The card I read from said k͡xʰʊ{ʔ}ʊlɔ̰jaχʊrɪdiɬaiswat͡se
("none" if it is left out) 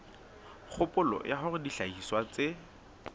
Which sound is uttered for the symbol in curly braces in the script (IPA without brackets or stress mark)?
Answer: p